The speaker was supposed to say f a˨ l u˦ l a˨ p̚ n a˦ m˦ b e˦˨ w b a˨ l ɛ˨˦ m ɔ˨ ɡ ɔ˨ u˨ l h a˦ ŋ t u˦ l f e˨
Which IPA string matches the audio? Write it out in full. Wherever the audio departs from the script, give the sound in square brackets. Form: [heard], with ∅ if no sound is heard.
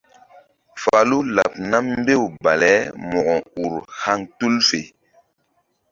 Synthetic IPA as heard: f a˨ l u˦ l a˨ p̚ n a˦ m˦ b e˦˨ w b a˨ l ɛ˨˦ m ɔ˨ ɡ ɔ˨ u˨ [ɾ] h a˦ ŋ t u˦ l f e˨